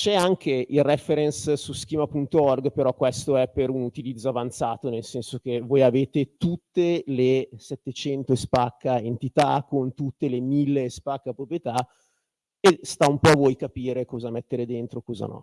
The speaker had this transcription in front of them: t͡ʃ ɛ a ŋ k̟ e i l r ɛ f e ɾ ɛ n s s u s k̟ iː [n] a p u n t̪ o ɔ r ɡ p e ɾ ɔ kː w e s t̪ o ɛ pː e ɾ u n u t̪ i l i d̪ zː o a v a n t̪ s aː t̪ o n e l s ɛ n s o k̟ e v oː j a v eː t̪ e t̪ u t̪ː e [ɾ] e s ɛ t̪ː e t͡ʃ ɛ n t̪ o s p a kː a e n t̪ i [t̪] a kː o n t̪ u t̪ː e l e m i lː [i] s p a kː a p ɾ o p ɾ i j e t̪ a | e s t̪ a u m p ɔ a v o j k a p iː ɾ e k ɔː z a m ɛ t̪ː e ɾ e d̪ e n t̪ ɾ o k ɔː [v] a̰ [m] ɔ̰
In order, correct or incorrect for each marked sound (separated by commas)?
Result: incorrect, incorrect, correct, incorrect, incorrect, incorrect